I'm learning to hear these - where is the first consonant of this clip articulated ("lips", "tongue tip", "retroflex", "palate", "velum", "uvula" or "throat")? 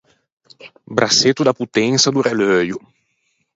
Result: lips